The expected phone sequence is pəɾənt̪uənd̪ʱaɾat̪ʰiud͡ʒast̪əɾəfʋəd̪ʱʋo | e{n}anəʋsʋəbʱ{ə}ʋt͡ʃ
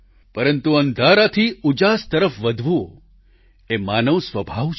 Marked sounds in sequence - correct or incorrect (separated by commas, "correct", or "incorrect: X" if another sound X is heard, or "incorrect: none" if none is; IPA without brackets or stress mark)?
incorrect: m, incorrect: a